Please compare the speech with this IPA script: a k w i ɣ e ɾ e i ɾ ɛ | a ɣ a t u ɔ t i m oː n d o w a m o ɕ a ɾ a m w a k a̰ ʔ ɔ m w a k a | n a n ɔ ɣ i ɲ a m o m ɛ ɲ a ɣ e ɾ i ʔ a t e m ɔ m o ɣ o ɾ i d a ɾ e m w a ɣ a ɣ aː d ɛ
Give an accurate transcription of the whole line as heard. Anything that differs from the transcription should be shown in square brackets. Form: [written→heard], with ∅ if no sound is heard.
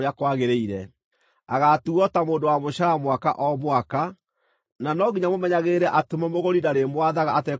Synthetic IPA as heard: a k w [i→a] ɣ e ɾ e i ɾ ɛ | a ɣ a t u ɔ t [i→a] m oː n d o w a m o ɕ a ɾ a m w a k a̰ ʔ ɔ m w a k a | n a n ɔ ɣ i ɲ a m o m ɛ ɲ a ɣ e ɾ [i→ɛ] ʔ a t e m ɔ m o ɣ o ɾ i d a ɾ e m w a [ɣ→ð] a ɣ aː [d→t] ɛ